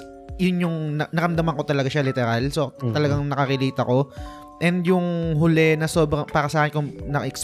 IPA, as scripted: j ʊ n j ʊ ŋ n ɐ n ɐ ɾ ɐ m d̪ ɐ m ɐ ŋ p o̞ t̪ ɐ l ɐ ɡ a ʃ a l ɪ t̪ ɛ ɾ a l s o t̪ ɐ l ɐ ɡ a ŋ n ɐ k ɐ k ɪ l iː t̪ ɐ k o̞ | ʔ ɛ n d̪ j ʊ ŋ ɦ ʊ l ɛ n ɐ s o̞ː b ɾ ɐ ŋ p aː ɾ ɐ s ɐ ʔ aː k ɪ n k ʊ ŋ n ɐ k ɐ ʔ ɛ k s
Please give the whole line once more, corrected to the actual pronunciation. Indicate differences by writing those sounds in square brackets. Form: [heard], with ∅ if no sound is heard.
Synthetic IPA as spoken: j ʊ n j ʊ ŋ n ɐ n ɐ ɾ ɐ m d̪ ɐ m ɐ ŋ [k] o̞ t̪ ɐ l ɐ ɡ a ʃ a l ɪ t̪ ɛ ɾ a l s o t̪ ɐ l ɐ ɡ a ŋ n ɐ k ɐ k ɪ l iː t̪ ɐ k o̞ | ʔ ɛ n d̪ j ʊ ŋ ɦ ʊ l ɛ n ɐ s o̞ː b ɾ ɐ ŋ p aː ɾ ɐ s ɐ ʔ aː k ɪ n k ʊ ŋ n ɐ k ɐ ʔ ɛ k s